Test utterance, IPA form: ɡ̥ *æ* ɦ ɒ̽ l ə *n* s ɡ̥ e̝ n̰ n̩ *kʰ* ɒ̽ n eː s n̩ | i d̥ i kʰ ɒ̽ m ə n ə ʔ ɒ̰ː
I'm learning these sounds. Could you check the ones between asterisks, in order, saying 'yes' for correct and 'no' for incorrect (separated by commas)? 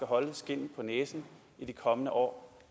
yes, no, no